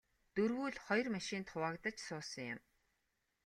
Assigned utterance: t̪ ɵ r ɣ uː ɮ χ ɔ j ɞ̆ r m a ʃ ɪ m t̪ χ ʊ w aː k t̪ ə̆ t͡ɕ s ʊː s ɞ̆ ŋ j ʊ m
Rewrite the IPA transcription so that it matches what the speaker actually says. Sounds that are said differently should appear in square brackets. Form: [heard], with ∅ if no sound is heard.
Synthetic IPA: t̪ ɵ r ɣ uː ɮ χ ɔ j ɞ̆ r m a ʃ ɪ [n] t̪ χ ʊ w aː k t̪ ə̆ t͡ɕ s ʊː s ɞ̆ ŋ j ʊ m